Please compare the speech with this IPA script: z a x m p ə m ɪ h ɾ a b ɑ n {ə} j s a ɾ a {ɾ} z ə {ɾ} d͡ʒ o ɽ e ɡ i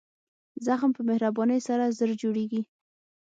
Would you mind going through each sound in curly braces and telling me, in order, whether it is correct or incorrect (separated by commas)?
correct, incorrect, correct